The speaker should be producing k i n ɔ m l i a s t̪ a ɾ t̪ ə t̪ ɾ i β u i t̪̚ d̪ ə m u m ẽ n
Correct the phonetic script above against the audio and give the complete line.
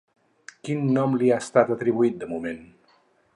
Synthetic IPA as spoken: k i nː ɔ m l i a s t̪ a t̪ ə t̪ ɾ i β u i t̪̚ d̪ ə m u m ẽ n